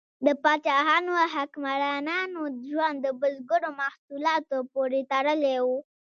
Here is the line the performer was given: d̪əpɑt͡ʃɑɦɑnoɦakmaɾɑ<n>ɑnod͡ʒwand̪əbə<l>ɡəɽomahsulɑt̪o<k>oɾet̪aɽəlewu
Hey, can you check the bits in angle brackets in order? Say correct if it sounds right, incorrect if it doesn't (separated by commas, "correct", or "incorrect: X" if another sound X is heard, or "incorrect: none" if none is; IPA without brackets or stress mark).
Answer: correct, correct, incorrect: p